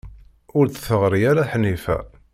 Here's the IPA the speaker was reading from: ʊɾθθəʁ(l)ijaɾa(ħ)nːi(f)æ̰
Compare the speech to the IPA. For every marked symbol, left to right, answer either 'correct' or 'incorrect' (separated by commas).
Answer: incorrect, correct, correct